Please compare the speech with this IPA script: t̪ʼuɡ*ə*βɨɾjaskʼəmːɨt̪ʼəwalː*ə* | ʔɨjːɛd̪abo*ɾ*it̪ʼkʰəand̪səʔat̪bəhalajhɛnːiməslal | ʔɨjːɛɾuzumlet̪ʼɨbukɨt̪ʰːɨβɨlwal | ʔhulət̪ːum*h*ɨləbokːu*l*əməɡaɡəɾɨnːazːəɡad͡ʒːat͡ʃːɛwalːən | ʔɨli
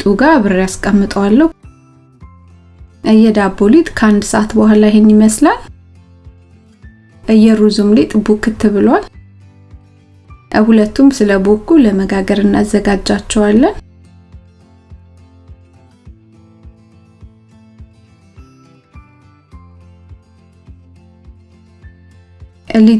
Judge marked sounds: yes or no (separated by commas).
no, yes, no, no, yes